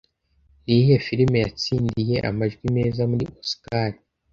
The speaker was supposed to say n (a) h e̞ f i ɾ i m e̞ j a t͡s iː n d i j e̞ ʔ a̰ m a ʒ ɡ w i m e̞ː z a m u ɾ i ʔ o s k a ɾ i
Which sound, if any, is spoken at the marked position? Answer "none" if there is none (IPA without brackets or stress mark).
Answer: i